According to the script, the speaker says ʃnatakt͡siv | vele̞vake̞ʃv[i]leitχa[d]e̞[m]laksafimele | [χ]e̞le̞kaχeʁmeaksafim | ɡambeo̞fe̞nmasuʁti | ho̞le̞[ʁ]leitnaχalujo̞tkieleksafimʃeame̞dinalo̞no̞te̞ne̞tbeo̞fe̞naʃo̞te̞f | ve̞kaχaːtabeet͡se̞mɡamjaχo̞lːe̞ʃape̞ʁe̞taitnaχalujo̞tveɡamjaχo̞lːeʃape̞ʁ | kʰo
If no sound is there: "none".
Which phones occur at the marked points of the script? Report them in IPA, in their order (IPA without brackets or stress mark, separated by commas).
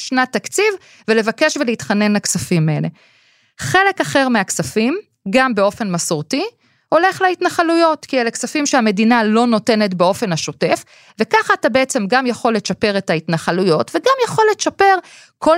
e, n, n, χ, χ